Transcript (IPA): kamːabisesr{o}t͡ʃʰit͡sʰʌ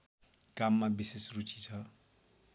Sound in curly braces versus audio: incorrect: u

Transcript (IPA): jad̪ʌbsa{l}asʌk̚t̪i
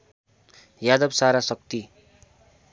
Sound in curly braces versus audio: incorrect: ɾ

